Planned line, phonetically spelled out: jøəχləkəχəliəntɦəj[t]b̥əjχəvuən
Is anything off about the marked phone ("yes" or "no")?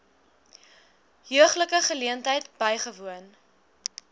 no